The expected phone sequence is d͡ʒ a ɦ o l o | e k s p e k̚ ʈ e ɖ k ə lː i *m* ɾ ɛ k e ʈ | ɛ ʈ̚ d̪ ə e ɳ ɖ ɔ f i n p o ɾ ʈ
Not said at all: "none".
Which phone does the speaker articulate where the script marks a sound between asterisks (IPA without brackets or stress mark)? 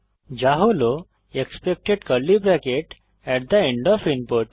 b